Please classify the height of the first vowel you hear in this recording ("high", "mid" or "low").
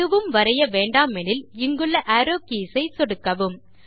high